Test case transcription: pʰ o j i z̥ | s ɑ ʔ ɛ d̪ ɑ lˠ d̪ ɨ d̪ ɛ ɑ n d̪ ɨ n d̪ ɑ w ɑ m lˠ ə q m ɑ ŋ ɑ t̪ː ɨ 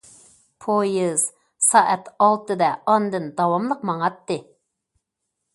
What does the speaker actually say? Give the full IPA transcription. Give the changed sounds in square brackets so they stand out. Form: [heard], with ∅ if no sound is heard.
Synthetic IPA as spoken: pʰ o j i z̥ | s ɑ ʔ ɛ [t̪] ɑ lˠ [t̪] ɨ d̪ ɛ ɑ n d̪ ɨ n d̪ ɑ w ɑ m lˠ ə q m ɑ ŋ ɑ t̪ː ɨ